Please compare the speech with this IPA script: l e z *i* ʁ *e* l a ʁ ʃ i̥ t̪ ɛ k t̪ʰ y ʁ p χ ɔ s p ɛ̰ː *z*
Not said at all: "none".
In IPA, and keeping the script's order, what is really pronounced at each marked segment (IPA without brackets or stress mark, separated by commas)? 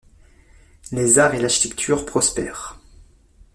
a, e, ʁ